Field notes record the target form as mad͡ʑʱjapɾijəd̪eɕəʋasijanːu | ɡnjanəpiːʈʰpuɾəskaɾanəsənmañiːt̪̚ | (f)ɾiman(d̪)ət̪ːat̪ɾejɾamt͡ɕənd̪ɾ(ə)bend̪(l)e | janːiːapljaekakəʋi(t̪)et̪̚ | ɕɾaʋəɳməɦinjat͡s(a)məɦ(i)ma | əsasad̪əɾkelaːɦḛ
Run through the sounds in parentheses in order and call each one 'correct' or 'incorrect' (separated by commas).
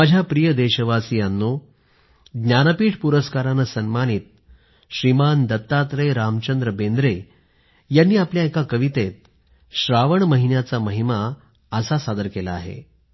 incorrect, correct, correct, incorrect, correct, correct, correct